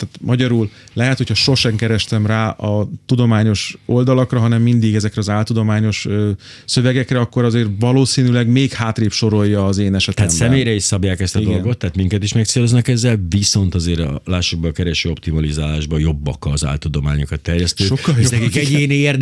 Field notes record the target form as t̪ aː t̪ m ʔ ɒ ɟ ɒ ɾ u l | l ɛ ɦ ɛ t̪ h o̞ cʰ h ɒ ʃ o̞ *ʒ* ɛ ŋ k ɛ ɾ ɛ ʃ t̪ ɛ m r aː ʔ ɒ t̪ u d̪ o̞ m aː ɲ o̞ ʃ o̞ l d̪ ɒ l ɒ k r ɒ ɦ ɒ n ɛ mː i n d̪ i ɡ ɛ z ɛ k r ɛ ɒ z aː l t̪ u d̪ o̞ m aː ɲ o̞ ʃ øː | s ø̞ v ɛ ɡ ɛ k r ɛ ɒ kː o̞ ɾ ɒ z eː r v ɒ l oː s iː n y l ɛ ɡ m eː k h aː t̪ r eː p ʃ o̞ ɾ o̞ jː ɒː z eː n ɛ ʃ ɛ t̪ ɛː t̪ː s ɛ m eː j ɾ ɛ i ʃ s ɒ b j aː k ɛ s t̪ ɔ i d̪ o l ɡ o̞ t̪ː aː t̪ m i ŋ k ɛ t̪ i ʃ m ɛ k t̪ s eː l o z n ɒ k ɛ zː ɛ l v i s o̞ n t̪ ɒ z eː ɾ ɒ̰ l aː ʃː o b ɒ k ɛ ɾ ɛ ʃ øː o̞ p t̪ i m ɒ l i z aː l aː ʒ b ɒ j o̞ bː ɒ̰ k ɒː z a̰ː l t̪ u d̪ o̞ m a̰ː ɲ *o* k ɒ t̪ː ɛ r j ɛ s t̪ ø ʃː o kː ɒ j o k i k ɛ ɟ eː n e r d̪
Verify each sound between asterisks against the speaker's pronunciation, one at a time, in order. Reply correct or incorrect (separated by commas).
incorrect, correct